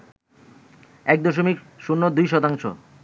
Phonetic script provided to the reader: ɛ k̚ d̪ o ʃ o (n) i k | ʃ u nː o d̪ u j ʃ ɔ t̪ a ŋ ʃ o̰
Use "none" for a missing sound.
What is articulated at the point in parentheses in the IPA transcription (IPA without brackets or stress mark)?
m